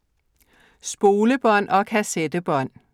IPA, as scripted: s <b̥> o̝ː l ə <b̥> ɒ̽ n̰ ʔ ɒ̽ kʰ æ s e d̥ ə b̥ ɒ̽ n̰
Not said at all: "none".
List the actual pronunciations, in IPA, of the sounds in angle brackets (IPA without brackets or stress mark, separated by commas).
b̥, b̥